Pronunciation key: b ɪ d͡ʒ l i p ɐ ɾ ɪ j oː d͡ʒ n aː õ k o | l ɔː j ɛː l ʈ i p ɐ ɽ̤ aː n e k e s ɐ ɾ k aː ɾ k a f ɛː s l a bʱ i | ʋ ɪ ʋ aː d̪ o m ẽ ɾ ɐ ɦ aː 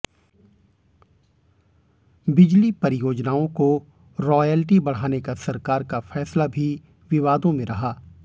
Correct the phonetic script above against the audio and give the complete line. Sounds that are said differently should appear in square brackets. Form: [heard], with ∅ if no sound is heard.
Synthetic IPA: b ɪ d͡ʒ l i p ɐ ɾ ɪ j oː d͡ʒ n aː õ k o | [ɾ] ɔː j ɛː l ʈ i [b] ɐ ɽ̤ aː n e k [a] s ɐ ɾ k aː ɾ k a f ɛː s l a bʱ i | ʋ ɪ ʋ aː d̪ [õ] m ẽ ɾ ɐ ɦ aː